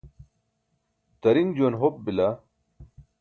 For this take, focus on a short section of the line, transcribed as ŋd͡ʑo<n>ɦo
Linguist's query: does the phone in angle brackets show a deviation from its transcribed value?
no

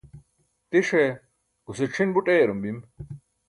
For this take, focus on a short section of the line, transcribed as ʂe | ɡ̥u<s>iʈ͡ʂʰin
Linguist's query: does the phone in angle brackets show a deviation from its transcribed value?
no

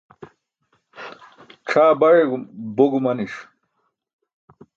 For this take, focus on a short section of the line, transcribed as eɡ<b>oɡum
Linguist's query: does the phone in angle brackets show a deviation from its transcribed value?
no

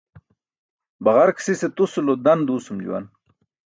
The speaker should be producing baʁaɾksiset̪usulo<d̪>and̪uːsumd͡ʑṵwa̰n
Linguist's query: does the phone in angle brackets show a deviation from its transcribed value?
no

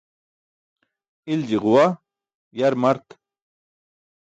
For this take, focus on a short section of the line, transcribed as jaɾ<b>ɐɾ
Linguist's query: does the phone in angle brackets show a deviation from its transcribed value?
yes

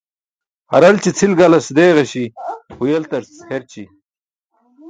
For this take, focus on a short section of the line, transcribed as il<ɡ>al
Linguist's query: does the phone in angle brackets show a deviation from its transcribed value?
no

